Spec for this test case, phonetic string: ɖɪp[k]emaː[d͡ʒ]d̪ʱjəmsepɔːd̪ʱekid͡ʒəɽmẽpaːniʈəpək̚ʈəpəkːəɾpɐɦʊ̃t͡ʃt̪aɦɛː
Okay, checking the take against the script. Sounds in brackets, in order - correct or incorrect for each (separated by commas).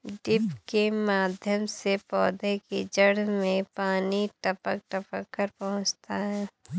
correct, incorrect